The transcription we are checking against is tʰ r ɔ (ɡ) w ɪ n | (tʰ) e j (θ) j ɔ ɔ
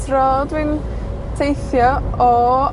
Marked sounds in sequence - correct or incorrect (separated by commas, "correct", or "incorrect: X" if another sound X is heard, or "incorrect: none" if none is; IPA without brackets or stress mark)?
incorrect: d, correct, correct